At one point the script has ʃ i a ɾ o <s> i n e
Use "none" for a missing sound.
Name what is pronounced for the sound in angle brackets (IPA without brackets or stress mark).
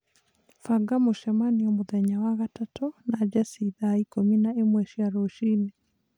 ʃ